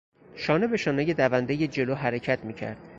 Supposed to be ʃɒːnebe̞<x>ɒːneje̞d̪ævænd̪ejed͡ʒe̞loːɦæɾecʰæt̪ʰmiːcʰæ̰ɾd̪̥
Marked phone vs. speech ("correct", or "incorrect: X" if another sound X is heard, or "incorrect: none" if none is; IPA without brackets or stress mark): incorrect: ʃ